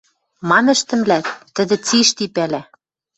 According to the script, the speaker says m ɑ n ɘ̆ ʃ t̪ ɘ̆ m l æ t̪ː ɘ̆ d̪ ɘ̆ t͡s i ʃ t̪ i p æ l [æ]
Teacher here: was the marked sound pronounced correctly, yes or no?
yes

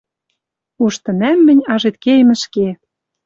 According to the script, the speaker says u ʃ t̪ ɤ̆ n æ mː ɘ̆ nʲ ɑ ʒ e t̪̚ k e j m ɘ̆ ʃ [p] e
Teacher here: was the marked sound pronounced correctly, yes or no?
no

